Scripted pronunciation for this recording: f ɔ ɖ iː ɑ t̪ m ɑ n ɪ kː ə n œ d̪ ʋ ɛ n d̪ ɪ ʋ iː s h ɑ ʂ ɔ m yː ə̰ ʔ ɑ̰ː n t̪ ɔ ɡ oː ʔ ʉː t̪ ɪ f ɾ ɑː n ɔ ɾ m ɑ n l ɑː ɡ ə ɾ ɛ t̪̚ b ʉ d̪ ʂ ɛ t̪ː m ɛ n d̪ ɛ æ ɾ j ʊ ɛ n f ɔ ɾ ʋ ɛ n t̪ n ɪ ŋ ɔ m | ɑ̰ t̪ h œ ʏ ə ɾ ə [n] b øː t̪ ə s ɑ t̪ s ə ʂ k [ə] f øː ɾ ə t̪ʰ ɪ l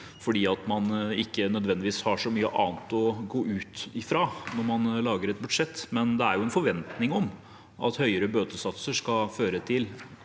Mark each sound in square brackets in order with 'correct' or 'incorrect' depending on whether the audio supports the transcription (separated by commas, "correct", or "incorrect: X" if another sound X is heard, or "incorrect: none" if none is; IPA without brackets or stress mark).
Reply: incorrect: none, incorrect: ɑ